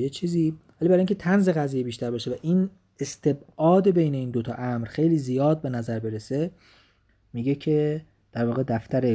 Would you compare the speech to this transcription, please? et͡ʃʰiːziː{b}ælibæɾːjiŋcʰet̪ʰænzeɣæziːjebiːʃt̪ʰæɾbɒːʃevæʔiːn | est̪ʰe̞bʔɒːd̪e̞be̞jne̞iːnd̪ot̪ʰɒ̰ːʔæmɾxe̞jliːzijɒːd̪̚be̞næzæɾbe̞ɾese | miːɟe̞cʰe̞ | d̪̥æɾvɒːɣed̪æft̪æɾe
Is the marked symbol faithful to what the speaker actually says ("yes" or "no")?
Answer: no